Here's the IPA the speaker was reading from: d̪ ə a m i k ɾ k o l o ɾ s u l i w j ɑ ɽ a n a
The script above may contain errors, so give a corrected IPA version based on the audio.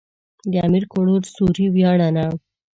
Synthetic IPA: d̪ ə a m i ɾ k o ɽ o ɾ s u ɾ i w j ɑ ɽ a n a